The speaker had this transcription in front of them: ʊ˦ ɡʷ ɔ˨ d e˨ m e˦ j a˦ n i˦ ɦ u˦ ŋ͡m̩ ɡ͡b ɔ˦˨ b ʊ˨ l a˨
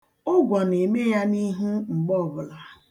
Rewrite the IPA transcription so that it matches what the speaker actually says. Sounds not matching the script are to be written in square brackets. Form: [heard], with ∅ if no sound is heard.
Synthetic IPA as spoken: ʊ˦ ɡʷ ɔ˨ [n] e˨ m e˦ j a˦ n i˦ ɦ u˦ ŋ͡m̩ ɡ͡b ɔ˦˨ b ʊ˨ l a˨

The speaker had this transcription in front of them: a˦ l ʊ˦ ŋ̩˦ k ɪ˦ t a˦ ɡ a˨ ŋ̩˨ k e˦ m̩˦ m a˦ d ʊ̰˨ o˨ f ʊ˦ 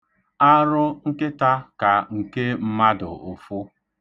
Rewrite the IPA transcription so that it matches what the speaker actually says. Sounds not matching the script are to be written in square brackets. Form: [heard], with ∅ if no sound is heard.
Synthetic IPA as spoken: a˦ [ɾ] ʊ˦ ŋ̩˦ k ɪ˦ t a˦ [k] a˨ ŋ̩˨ k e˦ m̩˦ m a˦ d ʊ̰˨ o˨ f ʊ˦

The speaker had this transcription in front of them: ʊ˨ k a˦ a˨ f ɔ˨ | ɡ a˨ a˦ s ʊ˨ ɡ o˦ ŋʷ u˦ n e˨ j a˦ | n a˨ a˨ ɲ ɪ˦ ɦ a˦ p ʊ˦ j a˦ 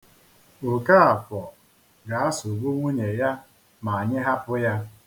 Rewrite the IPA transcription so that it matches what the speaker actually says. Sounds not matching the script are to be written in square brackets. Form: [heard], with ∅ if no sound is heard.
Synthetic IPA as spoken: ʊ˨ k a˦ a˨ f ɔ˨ | ɡ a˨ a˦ s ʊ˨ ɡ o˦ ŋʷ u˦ [ɲ] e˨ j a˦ | [m] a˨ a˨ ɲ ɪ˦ ɦ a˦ p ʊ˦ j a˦

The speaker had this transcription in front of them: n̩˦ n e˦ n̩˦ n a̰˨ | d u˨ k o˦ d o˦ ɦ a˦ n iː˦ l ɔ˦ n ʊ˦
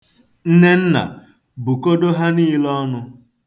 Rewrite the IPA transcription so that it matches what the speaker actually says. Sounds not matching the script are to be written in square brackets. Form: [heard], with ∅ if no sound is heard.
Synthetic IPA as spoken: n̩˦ n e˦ n̩˦ n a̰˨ | [b] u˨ k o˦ d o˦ ɦ a˦ n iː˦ l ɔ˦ n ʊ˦

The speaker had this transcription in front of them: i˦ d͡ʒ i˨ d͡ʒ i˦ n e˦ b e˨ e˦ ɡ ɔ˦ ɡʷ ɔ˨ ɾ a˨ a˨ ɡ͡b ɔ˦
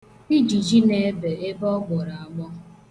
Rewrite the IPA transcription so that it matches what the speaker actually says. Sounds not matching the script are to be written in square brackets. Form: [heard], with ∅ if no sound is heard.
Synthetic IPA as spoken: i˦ d͡ʒ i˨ d͡ʒ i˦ n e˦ b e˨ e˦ [b] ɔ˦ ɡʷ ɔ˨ ɾ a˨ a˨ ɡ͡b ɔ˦

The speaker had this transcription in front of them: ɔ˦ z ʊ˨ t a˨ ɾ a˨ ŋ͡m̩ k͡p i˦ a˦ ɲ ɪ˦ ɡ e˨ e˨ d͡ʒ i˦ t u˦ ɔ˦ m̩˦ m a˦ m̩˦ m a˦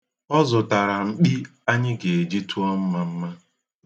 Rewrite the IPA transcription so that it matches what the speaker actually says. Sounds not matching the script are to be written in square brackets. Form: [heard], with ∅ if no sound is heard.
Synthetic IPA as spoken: ɔ˦ z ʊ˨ t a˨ ɾ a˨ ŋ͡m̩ k͡p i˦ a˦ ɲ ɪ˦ ɡ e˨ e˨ d͡ʒ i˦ t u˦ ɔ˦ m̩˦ m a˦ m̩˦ m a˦

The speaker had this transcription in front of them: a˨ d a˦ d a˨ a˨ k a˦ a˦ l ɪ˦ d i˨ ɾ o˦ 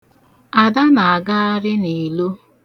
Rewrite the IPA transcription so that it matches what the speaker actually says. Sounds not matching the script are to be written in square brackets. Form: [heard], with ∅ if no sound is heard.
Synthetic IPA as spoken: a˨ d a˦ [n] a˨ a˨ [ɡ] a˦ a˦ [ɾ] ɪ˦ [n] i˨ [l] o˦

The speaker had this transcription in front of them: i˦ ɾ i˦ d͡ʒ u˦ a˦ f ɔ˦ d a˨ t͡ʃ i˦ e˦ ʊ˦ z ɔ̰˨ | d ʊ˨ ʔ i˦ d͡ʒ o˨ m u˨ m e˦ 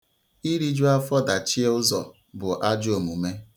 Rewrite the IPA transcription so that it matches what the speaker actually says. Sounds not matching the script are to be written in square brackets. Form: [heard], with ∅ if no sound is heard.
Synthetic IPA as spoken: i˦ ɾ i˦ d͡ʒ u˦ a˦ f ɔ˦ d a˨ t͡ʃ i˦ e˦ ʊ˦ z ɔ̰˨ | [b] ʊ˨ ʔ [a˦] d͡ʒ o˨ m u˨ m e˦

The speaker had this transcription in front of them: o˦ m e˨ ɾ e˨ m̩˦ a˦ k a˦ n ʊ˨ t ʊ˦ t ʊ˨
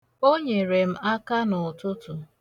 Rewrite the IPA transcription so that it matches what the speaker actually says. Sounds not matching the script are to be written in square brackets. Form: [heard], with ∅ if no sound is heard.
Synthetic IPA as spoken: o˦ [ɲ] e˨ ɾ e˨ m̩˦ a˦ k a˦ n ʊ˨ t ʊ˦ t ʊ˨

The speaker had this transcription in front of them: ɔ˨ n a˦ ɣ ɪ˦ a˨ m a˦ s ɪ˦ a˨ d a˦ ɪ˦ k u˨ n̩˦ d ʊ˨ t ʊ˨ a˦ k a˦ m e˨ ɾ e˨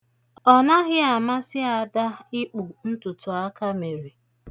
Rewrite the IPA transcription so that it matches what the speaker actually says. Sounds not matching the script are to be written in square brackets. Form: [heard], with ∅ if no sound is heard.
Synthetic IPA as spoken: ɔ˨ n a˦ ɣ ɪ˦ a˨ m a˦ s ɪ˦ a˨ d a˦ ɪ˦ [k͡p] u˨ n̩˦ [t] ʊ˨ t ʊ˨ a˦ k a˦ m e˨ ɾ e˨

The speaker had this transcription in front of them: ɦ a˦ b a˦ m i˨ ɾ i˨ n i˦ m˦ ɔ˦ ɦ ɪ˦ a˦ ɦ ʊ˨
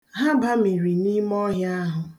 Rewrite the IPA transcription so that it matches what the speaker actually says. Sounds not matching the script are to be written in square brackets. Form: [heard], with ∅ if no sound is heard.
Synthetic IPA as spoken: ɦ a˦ b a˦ m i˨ ɾ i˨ n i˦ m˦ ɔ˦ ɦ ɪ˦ a˦ ɦ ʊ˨

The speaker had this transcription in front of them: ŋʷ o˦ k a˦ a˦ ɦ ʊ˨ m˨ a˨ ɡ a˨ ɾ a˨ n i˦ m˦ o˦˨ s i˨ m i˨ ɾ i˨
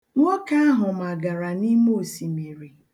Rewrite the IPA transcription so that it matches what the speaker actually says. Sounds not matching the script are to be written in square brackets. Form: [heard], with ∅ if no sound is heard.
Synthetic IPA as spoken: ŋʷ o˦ k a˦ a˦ ɦ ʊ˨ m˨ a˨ ɡ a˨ ɾ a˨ n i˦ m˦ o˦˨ s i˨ m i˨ ɾ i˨

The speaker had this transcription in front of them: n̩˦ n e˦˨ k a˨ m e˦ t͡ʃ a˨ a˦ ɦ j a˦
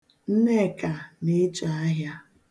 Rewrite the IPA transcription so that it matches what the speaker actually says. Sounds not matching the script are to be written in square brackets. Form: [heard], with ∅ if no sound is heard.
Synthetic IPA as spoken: n̩˦ n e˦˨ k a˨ [n] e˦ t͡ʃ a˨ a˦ ɦ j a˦

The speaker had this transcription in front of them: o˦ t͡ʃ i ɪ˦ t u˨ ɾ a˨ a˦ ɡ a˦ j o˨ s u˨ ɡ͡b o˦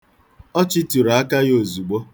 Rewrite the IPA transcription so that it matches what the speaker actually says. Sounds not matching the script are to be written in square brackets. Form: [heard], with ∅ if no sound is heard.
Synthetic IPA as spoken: [ɔ˦] t͡ʃ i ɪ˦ t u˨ ɾ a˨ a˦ [k] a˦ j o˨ [z] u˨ ɡ͡b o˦

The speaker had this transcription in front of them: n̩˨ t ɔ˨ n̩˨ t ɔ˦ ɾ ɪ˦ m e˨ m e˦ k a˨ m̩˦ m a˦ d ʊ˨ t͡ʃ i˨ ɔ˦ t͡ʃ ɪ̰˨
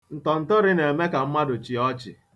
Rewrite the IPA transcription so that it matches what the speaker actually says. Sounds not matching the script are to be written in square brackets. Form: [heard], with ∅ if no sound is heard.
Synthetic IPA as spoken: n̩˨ t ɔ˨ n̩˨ t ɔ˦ ɾ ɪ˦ [n] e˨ m e˦ k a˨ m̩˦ m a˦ d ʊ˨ t͡ʃ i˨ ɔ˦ t͡ʃ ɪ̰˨

